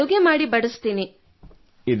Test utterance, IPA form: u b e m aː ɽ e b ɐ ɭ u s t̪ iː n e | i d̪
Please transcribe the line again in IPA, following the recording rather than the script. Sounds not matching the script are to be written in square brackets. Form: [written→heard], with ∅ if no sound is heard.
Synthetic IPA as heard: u [b→ɡ] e m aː ɽ [e→i] b ɐ [ɭ→ɽ] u s t̪ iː n [e→i] | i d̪